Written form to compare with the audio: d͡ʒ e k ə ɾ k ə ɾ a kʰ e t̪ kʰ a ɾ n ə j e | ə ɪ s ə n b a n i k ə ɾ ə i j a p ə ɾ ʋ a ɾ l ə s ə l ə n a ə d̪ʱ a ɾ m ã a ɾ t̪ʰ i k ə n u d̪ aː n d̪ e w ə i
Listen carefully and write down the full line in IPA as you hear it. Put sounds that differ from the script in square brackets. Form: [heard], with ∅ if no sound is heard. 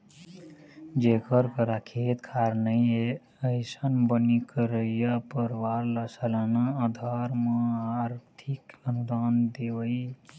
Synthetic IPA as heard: d͡ʒ e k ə ɾ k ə ɾ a kʰ e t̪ kʰ a ɾ n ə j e | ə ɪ s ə n b [ə] n i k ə ɾ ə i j a p ə ɾ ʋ a ɾ l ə s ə l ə n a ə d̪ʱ a ɾ m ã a ɾ t̪ʰ i k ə n u d̪ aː n d̪ e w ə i